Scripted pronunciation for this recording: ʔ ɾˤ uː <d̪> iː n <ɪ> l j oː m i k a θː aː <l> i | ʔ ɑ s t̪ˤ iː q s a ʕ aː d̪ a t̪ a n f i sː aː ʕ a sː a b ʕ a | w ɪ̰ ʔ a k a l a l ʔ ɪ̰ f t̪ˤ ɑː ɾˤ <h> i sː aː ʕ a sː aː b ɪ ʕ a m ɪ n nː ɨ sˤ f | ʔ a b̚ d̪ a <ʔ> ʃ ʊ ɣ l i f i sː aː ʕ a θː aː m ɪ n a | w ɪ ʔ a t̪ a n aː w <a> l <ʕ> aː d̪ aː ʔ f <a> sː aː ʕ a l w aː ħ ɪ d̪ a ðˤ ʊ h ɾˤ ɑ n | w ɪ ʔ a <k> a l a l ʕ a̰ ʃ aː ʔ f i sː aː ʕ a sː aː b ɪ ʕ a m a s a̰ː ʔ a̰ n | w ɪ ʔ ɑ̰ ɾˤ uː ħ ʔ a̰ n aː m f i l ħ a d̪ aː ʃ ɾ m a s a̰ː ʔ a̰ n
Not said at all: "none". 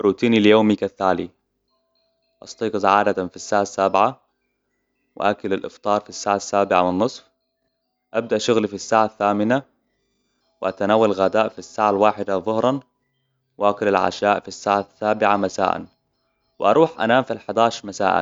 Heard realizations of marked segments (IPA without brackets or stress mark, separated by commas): t̪, i, l, f, ʔ, a, ɣ, i, k